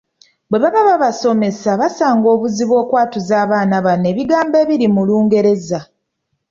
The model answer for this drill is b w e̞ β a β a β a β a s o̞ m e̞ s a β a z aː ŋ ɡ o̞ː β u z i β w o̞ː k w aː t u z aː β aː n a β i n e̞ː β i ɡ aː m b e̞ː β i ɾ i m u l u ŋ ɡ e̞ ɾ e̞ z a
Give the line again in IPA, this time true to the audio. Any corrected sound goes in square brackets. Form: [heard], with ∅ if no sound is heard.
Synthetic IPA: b w e̞ β a β a β a β a s o̞ m e̞ s a β a [s] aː ŋ ɡ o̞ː β u z i β w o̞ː k w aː t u z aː β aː n a β [a] n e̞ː β i ɡ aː m b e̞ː β i ɾ i m u l [uː] ŋ ɡ e̞ ɾ e̞ z a